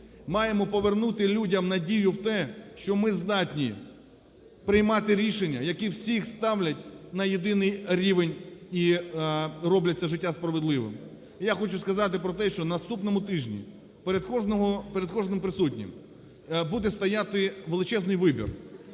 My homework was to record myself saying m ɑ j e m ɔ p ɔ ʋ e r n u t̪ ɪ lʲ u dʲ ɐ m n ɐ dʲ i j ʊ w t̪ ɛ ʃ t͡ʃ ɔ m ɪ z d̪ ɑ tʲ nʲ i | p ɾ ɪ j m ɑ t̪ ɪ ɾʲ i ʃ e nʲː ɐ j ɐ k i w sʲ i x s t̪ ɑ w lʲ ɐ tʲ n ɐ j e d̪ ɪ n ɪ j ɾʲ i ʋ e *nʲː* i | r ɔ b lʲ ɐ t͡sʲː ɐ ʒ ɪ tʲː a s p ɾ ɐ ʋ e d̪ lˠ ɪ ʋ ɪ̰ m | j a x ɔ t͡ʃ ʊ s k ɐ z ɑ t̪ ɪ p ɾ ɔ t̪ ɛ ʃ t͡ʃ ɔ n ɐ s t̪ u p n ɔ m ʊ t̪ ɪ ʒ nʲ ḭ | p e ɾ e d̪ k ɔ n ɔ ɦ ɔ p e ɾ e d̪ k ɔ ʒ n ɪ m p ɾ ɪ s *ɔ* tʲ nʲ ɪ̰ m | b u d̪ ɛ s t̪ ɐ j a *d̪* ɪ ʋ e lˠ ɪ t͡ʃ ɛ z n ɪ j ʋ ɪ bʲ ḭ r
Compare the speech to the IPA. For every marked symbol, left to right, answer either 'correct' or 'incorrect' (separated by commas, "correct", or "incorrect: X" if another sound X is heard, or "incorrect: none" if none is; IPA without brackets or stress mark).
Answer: incorrect: nʲ, incorrect: u, incorrect: t̪